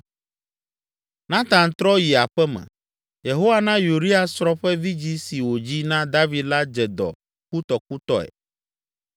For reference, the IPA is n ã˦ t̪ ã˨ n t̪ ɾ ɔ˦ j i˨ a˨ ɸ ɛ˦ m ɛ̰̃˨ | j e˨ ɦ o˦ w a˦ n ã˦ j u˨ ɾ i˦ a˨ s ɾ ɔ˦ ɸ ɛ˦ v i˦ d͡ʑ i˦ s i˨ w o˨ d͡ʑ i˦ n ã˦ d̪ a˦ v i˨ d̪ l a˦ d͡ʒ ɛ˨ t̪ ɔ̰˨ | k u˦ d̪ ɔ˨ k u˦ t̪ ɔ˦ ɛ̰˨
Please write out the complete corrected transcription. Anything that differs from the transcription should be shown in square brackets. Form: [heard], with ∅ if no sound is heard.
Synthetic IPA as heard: n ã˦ t̪ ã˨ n t̪ ɾ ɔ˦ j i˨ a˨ ɸ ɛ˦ m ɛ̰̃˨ | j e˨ ɦ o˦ w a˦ n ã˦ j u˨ ɾ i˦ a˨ s ɾ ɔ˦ ɸ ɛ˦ v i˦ d͡ʑ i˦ s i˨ w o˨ d͡ʑ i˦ n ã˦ d̪ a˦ v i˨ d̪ l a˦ d͡ʒ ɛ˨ [d̪] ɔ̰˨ | k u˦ [t̪] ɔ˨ k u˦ t̪ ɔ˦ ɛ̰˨